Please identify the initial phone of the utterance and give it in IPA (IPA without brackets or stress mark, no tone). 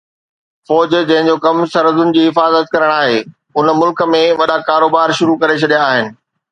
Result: f